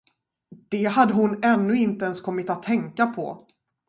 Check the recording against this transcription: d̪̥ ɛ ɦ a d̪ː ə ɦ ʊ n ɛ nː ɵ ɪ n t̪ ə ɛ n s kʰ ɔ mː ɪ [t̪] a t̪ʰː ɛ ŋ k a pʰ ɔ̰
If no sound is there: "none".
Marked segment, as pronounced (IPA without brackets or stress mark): t̪